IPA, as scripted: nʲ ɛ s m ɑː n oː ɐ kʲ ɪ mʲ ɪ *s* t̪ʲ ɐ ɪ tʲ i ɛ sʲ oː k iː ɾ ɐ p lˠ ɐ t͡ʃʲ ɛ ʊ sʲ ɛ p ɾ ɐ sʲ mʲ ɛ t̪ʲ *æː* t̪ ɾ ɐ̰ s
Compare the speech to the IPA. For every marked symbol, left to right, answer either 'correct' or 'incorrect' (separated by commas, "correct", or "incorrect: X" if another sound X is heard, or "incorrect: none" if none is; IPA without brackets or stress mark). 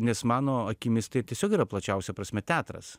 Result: correct, correct